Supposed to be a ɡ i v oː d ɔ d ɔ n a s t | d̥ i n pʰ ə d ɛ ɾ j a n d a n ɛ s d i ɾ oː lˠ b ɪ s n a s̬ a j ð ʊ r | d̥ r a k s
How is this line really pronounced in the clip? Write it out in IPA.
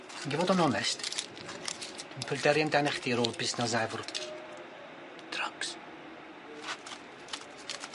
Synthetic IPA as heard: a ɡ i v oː d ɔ n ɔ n ɛ s t | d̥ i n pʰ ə d ɛ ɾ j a n d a n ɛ χ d i ɾ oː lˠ b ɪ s n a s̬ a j v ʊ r | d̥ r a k s